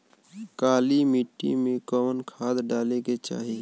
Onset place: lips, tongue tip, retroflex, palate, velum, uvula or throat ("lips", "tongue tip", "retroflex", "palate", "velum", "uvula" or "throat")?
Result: velum